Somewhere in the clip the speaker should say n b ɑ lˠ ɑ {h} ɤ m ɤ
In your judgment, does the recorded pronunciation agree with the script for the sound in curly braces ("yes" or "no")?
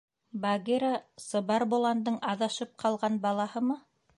yes